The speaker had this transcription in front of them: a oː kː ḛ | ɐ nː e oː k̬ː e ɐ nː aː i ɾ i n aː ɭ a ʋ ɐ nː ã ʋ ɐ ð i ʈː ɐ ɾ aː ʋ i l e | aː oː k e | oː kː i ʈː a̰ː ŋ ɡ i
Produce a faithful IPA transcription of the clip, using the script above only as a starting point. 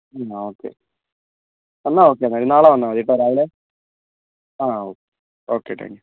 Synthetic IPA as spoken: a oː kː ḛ | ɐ nː a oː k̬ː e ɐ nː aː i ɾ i n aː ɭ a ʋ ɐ nː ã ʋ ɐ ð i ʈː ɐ ɾ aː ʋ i l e | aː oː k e | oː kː e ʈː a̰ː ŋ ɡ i